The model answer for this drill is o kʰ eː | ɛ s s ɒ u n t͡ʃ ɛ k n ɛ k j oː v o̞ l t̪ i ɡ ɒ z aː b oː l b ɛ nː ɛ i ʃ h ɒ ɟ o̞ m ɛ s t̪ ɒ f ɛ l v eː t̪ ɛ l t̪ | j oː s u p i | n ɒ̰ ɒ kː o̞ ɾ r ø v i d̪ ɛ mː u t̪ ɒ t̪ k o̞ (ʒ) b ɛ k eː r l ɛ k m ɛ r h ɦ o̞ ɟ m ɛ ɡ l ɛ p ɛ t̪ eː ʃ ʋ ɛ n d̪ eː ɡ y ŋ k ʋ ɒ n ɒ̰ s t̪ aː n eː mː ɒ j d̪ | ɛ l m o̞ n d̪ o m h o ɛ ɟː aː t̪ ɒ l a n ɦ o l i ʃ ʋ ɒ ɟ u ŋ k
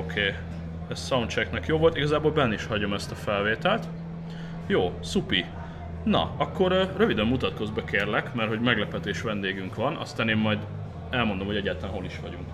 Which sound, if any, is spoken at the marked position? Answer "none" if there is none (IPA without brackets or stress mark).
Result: z